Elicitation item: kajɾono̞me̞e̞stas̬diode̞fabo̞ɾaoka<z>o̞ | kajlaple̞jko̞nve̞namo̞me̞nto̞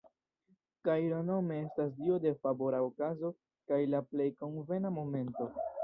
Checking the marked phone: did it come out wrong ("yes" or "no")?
no